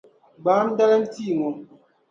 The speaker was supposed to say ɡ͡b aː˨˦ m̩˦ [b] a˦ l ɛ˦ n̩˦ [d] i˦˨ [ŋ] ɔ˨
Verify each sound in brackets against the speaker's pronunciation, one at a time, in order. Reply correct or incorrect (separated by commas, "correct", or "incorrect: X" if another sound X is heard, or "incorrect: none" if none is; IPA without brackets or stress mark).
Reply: incorrect: d, incorrect: t, correct